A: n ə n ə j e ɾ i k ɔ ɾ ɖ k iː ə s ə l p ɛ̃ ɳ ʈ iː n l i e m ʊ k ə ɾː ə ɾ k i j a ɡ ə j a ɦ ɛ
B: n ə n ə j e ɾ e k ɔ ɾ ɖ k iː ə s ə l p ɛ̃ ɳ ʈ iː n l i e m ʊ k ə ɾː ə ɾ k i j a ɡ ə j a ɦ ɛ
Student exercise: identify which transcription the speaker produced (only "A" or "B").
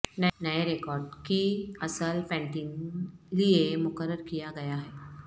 B